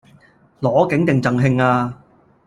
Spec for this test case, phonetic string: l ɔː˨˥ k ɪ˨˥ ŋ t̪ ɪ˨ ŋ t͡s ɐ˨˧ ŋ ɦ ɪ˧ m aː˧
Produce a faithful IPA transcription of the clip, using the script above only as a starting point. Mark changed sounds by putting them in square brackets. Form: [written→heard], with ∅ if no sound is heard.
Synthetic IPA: l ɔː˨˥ k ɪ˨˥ ŋ t̪ ɪ˨ ŋ t͡s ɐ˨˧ ŋ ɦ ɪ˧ [m→ŋ] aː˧